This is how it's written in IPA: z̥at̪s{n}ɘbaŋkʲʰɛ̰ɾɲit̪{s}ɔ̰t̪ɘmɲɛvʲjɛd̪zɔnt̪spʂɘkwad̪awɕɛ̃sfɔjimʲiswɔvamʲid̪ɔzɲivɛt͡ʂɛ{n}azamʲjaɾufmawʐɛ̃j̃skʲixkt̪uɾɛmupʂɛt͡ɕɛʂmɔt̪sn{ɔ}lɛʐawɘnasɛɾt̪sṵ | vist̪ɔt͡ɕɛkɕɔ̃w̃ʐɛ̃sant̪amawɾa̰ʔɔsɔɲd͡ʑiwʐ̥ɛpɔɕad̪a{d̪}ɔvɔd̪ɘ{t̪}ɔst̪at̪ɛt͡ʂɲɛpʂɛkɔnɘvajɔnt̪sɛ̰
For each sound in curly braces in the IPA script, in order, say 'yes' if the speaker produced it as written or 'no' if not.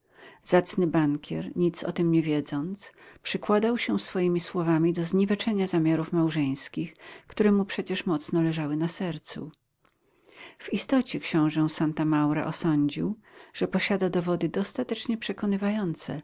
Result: yes, yes, no, yes, yes, no

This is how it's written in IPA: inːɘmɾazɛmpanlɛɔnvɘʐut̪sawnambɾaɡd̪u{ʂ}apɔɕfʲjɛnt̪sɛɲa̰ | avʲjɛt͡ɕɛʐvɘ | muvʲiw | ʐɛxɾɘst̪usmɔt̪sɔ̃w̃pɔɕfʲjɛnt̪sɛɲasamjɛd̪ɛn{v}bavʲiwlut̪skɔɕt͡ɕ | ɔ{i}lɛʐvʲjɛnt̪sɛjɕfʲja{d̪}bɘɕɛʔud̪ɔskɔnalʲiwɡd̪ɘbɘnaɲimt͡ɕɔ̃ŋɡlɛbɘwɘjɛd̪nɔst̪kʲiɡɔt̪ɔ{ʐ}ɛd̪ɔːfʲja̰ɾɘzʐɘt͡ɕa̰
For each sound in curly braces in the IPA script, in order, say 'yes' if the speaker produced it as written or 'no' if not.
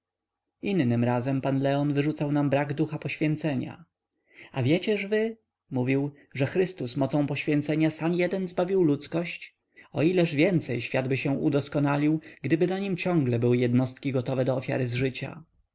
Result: no, no, yes, yes, no

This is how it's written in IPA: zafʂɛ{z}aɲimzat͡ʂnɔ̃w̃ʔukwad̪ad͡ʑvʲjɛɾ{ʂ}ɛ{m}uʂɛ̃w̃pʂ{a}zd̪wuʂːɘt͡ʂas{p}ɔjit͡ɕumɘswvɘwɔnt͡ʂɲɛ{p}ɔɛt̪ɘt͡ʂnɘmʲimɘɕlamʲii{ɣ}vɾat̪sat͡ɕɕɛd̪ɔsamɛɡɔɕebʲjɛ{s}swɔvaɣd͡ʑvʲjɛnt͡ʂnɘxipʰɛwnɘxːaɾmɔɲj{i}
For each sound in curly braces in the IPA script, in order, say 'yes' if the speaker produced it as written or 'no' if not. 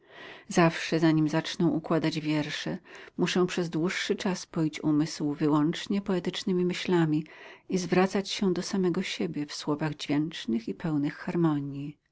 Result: yes, yes, yes, no, yes, yes, no, no, yes

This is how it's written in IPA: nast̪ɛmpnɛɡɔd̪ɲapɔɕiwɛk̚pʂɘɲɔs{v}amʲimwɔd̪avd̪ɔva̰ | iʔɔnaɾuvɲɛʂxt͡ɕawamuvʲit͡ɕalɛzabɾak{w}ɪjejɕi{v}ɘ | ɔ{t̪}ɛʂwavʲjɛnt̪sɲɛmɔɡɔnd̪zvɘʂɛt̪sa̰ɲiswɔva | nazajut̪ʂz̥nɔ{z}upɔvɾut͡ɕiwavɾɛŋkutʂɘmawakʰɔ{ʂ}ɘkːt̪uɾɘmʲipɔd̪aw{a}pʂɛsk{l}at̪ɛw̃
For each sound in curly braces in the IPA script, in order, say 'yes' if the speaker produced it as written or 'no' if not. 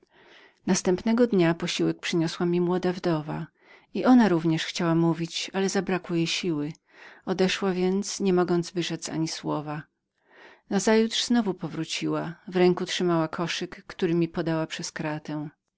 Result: no, yes, no, no, no, yes, yes, no

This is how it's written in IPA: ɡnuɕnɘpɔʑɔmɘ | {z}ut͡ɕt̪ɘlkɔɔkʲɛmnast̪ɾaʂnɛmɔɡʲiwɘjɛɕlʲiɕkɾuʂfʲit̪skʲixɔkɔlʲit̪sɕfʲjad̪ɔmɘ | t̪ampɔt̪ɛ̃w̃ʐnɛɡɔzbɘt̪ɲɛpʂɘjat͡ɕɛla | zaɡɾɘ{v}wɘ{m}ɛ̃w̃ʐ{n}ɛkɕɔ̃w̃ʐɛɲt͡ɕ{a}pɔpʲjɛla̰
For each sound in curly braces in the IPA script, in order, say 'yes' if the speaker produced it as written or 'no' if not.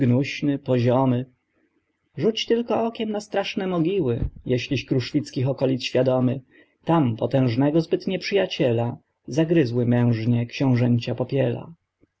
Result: no, no, yes, no, yes

